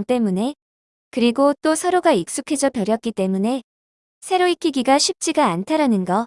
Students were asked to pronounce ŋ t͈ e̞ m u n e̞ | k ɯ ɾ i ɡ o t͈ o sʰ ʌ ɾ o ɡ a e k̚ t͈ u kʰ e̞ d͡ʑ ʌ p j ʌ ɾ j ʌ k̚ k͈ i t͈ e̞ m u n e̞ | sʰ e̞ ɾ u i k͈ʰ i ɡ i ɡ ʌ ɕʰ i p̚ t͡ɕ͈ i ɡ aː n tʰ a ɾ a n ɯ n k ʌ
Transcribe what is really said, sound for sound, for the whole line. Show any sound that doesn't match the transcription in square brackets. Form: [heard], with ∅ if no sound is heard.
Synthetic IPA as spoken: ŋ t͈ e̞ m u n e̞ | k ɯ ɾ i ɡ o t͈ o sʰ ʌ ɾ o ɡ a [i] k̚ [s͈] u kʰ e̞ d͡ʑ ʌ p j ʌ ɾ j ʌ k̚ k͈ i t͈ e̞ m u n e̞ | sʰ e̞ ɾ [o] i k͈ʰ i ɡ i ɡ [a] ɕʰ i p̚ t͡ɕ͈ i ɡ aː n tʰ a ɾ a n ɯ n [ɡ] ʌ